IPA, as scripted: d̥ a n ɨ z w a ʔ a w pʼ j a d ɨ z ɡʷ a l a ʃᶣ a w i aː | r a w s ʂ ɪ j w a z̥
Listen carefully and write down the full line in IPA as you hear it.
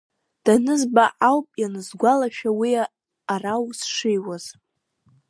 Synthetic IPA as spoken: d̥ a n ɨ z b a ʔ a w pʼ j a n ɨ z ɡʷ a l a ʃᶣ a w i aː | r a w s ʂ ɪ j w a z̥